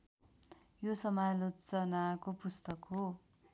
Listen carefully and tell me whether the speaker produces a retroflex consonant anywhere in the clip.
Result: no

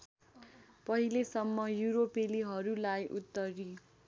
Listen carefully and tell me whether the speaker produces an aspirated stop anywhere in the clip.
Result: no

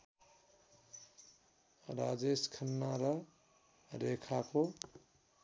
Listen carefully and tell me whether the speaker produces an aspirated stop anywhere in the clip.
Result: yes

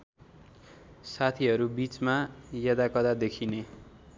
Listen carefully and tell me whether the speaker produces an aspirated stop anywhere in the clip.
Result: yes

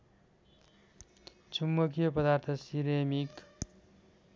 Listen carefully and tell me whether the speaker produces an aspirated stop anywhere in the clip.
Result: yes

